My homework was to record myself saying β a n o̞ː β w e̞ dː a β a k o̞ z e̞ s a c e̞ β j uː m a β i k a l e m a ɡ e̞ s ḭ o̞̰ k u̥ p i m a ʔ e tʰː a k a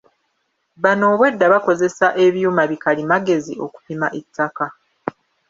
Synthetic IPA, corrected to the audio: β a n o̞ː β w e̞ dː a β a k o̞ z e̞ s a ʔ e̞ β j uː m a β i k a l i m a ɡ e̞ z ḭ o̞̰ k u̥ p i m a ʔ e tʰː a k a